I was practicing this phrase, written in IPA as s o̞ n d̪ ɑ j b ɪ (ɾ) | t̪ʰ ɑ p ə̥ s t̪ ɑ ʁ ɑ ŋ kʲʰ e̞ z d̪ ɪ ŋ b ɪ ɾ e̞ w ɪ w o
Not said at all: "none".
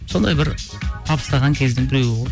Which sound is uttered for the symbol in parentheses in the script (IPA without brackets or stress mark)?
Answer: ɾ